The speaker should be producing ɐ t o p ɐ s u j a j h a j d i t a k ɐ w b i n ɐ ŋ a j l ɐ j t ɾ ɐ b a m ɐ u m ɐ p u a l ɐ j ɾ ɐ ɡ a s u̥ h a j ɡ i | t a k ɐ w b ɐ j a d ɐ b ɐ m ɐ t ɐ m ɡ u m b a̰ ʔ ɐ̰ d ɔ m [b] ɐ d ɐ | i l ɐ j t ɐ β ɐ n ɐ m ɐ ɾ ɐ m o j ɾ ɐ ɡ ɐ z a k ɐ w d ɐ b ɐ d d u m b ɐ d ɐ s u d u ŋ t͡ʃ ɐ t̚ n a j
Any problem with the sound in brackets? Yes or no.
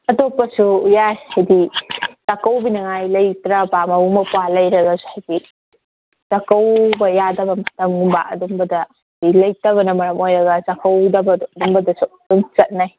no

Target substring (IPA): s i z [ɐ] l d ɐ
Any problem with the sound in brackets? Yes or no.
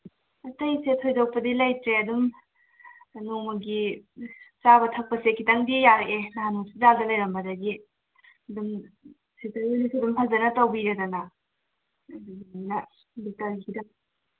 yes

